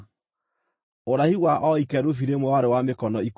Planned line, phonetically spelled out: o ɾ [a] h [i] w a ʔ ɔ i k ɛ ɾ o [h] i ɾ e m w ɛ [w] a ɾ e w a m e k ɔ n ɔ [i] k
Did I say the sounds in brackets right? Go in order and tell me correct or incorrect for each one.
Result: correct, correct, incorrect: f, correct, correct

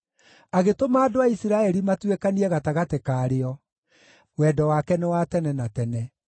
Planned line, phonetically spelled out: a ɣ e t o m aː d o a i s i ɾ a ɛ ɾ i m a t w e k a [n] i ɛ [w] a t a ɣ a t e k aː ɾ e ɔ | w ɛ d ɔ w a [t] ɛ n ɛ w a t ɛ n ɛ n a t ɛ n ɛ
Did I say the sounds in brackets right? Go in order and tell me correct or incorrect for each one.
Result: correct, incorrect: ɣ, incorrect: k

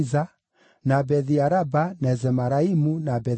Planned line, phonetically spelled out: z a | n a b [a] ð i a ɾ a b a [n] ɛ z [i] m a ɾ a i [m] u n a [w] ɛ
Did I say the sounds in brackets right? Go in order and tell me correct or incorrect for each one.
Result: incorrect: ɛ, correct, incorrect: ɛ, correct, incorrect: b

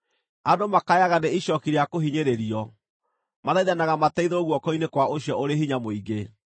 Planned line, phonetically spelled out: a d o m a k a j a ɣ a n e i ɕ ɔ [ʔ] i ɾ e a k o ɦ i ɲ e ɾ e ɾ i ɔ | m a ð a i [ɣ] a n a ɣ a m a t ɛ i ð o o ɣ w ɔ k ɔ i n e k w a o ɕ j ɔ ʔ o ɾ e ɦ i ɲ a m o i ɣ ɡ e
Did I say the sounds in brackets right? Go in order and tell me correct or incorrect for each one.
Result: incorrect: k, incorrect: ð

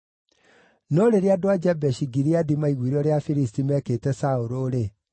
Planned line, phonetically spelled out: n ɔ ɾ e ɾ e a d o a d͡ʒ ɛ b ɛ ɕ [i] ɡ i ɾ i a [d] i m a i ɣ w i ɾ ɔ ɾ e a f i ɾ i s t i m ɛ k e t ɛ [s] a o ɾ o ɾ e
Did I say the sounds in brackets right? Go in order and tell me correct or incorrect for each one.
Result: correct, correct, correct

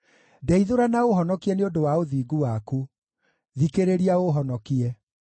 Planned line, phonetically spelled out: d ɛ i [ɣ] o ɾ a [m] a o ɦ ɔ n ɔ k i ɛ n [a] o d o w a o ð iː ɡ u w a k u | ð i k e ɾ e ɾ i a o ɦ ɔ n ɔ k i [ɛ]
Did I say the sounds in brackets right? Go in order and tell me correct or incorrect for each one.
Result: incorrect: ð, incorrect: n, incorrect: e, correct

